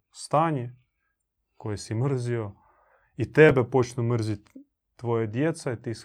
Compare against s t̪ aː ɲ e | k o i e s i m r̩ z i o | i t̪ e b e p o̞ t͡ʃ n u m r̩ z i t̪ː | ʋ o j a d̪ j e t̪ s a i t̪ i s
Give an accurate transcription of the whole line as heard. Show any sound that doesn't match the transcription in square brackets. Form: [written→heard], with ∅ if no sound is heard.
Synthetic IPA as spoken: s t̪ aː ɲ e | k o [i→j] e s i m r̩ z i o | i t̪ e b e p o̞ t͡ʃ n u m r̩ z i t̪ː | ʋ o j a d̪ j e t̪ s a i t̪ i s